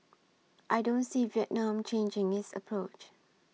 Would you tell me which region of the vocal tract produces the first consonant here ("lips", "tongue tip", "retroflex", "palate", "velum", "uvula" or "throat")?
throat